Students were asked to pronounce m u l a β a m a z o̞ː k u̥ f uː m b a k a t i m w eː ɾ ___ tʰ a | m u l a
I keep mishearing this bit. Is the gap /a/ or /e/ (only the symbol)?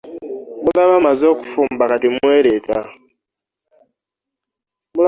e